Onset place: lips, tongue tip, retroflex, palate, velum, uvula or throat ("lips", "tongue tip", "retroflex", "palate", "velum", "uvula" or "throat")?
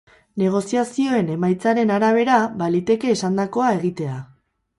tongue tip